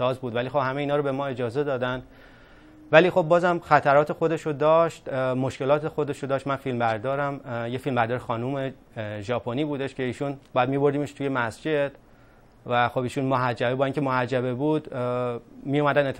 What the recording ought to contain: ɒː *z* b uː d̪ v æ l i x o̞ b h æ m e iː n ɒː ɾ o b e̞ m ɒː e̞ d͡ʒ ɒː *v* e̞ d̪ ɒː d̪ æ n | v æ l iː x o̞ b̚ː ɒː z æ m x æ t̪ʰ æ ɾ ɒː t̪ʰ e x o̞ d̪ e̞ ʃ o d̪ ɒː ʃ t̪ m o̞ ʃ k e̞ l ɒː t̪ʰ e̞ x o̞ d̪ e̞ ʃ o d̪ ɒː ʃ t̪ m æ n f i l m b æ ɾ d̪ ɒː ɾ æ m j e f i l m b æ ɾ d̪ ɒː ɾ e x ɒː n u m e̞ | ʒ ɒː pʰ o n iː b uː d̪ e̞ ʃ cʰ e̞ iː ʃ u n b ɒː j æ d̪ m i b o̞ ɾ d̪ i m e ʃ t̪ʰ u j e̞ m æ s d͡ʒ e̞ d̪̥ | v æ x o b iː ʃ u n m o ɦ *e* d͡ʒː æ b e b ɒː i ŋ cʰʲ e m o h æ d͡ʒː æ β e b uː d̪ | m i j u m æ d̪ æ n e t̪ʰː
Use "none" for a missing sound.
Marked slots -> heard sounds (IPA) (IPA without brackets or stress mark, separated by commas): z, z, æ